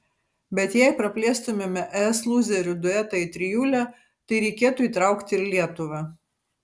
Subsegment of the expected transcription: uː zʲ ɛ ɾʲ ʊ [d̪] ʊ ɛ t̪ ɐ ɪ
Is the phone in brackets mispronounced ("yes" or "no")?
no